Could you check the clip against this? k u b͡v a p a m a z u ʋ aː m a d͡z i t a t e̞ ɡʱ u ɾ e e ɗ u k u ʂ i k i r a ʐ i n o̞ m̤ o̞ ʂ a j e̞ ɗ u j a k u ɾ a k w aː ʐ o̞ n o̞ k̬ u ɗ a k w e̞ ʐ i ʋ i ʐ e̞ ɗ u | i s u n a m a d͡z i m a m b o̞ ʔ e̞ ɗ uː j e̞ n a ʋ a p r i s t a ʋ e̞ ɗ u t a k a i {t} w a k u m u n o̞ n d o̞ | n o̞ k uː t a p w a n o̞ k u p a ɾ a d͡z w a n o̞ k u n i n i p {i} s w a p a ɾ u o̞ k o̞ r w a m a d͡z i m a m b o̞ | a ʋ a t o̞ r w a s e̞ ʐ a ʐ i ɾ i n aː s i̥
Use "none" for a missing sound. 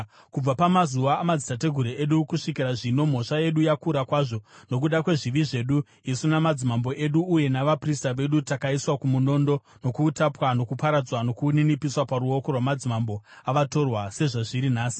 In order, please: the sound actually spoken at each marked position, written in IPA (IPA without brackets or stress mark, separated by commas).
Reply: s, i